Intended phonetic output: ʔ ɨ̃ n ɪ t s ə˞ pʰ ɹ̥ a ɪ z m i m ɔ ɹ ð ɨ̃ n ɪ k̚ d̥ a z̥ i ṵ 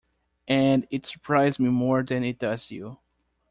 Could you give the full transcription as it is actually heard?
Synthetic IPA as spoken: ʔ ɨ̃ n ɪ t s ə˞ pʰ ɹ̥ a ɪ z m i m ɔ ɹ ð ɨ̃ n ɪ t̚ d̥ ʌ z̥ j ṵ

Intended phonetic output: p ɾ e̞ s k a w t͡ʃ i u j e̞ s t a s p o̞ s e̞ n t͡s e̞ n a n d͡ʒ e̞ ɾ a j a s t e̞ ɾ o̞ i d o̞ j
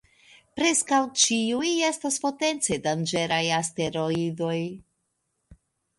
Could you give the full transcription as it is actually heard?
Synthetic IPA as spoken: p ɾ e̞ s k a w t͡ʃ i u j e̞ s t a s p o̞ t e̞ n t͡s e̞ d a n d͡ʒ e̞ ɾ a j a s t e̞ ɾ o̞ i d o̞ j

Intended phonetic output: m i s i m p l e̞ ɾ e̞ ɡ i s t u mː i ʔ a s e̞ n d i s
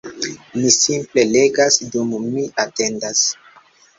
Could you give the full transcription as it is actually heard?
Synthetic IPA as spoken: m i s i m p l e̞ l e̞ ɡ a s d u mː i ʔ a t e̞ n d a s

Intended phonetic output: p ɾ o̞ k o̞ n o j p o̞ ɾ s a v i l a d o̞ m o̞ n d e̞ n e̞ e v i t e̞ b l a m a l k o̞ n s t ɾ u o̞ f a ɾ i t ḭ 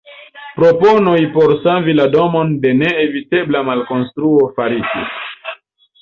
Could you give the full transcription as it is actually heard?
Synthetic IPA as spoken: p ɾ o̞ p o̞ n o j p o̞ ɾ s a v i l a d o̞ m o̞ n d e̞ n e̞ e v i t e̞ b l a m a l k o̞ n s t ɾ u o̞ f a ɾ i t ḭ

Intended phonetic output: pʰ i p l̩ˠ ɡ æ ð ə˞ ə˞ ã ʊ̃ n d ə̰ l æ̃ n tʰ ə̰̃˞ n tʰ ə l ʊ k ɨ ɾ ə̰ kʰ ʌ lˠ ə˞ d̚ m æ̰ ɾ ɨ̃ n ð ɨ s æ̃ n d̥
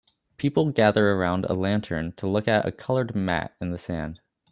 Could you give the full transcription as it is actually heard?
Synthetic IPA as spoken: pʰ i p l̩ˠ ɡ æ ð ə˞ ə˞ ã ʊ̃ n d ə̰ l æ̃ n tʰ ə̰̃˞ n tʰ ə l ʊ k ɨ ɾ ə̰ kʰ ʌ lˠ ə˞ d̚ m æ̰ ɾ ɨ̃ n ð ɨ s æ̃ n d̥

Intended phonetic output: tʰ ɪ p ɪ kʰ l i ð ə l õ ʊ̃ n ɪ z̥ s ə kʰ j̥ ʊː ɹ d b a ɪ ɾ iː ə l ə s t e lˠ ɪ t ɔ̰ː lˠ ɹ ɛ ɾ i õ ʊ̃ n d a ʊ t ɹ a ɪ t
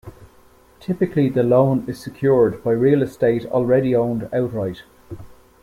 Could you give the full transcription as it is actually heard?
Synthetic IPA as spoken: tʰ ɪ p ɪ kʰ l i ð ə l õ ʊ̃ n ɪ z̥ s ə kʰ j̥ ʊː ɹ d b a ɪ ɹ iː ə l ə s t e ɪ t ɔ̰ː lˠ ɹ ɛ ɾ i õ ʊ̃ n d a ʊ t ɹ a ɪ t

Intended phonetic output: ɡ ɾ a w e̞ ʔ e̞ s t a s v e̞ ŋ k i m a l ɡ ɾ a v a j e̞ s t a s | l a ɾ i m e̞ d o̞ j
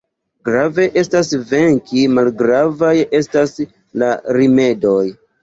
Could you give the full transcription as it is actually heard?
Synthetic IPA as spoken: ɡ ɾ a v e̞ ʔ e̞ s t a s v e̞ ŋ k i m a l ɡ ɾ a v a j e̞ s t a s | l a ɾ i m e̞ d o̞ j

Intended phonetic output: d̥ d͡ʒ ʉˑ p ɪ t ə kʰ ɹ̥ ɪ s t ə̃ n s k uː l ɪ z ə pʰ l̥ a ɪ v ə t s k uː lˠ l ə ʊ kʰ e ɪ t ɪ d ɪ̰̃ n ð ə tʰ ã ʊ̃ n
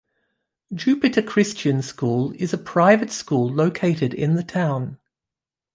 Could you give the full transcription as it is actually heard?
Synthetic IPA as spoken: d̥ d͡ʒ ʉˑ p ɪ t ə kʰ ɹ̥ ɪ s t͡ʃ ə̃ n s k uː l ɪ z ə pʰ ɹ̥ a ɪ v ə t s k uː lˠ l ə ʊ kʰ e ɪ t ɪ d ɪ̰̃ n ð ə tʰ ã ʊ̃ n

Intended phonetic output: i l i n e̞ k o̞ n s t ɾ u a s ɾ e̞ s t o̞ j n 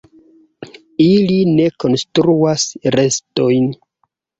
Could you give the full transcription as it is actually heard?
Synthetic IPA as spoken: i l i n e̞ k o̞ n s t ɾ u a s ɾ e̞ s t o̞ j n

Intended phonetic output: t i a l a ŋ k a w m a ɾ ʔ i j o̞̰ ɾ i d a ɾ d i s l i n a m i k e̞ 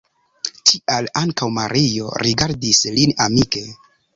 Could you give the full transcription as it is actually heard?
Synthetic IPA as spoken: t i a l a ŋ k a w m a ɾ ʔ i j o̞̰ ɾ i ɡ a ɾ d i s l i n a m i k e̞

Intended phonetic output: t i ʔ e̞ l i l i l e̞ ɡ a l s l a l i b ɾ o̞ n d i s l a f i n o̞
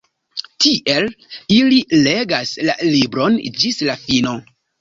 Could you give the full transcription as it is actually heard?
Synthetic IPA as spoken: t i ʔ e̞ l i l i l e̞ ɡ a s l a l i b ɾ o̞ n d͡ʒ i s l a f i n o̞

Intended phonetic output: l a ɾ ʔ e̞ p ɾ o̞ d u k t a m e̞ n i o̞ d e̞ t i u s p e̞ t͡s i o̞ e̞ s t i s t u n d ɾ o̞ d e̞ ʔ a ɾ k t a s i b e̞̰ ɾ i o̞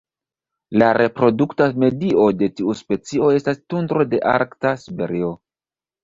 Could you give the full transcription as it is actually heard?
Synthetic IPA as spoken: l a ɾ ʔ e̞ p ɾ o̞ d u k t a m e̞ d i o̞ d e̞ t i u s p e̞ t͡s i o̞ e̞ s t a s t u n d ɾ o̞ d e̞ ʔ a ɾ k t a s i b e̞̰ ɾ i o̞

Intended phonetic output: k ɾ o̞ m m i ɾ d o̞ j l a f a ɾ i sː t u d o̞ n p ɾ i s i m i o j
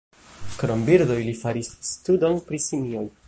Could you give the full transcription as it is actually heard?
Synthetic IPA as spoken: k ɾ o̞ m b i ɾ d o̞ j l i f a ɾ i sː t u d o̞ n p ɾ i s i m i o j

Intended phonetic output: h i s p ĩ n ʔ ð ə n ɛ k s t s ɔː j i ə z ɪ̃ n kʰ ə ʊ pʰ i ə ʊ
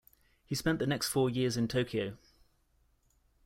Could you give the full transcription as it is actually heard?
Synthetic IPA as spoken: h i s p ɛ̃ n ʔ ð ə n ɛ k s t f ɔː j ɪ ə z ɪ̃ n tʰ ə ʊ kʰ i ə ʊ

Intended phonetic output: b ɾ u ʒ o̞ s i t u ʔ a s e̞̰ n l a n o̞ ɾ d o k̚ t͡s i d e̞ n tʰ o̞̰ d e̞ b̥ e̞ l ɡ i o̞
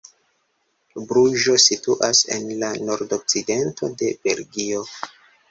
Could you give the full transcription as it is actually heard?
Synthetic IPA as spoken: b ɾ u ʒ o̞ s i t u ʔ a s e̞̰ n l a n o̞ ɾ d o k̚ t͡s i d e̞ n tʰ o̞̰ d e̞ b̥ e̞ l ɡ i o̞

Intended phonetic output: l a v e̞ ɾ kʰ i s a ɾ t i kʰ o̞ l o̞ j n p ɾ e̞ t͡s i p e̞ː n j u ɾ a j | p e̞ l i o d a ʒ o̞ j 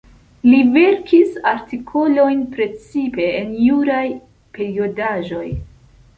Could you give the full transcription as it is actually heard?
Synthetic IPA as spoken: l i v e̞ ɾ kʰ i s a ɾ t i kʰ o̞ l o̞ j n p ɾ e̞ t͡s i p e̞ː n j u ɾ a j | p e̞ ɾ i o d a ʒ o̞ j

